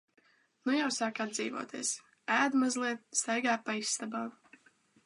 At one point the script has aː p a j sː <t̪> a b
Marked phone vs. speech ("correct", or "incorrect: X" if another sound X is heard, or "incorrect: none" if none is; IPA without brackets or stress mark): correct